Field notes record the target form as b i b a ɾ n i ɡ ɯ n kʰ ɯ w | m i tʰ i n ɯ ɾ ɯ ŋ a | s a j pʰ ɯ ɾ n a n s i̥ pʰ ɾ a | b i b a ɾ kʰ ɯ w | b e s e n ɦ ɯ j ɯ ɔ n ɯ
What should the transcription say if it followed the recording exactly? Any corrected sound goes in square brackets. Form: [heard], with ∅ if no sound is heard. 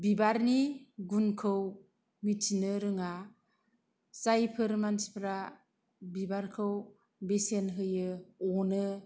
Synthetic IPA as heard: b i b a ɾ n i ɡ [u] n kʰ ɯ w | m i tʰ i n ɯ ɾ ɯ ŋ a | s a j pʰ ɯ ɾ [m] a n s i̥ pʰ ɾ a | b i b a ɾ kʰ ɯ w | b e s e n ɦ ɯ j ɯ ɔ n ɯ